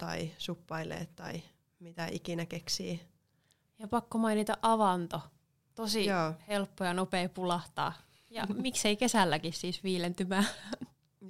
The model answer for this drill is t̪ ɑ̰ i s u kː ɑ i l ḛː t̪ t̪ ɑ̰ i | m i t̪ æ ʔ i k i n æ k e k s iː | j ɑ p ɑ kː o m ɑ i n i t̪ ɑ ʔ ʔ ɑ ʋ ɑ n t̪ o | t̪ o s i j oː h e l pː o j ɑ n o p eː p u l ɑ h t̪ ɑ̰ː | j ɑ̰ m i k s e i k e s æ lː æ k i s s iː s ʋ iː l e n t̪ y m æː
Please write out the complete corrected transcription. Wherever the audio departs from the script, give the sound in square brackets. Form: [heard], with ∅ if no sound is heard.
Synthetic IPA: t̪ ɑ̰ i s u [pː] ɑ i l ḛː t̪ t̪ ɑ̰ i | m i t̪ æ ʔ i k i n æ k e k s iː | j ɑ p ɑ kː o m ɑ i n i t̪ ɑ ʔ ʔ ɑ ʋ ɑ n t̪ o | t̪ o s i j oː h e l pː o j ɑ n o p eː p u l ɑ h t̪ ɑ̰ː | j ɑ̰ m i k s e i k e s æ lː æ k i s s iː s ʋ iː l e n t̪ y m æː